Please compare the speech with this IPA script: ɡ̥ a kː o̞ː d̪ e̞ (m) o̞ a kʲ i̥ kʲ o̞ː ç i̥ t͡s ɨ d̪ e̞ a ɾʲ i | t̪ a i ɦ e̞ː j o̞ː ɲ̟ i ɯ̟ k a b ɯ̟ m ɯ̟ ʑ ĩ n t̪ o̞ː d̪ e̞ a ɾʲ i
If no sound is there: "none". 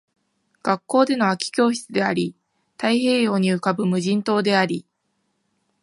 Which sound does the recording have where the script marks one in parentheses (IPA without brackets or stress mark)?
n